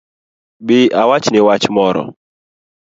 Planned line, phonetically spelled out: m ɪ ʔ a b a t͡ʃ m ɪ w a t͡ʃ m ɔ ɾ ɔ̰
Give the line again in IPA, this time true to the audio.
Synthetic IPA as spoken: b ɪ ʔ a w a t͡ʃ n ɪ w a t͡ʃ m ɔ ɾ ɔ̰